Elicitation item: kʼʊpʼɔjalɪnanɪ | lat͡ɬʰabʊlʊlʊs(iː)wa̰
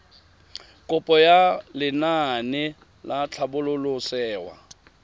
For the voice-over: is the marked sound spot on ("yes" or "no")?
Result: no